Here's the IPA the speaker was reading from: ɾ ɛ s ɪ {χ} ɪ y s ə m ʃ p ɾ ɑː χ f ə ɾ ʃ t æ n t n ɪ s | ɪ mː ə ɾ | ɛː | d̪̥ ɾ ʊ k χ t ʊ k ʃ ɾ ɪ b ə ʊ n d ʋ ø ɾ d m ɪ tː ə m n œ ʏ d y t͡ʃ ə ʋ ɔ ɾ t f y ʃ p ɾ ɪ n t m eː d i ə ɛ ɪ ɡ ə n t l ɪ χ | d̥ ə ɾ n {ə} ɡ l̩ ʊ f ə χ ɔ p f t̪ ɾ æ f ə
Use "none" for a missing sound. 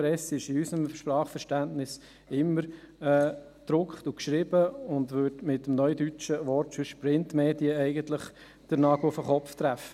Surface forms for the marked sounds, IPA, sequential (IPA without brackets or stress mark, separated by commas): ʃ, ɑ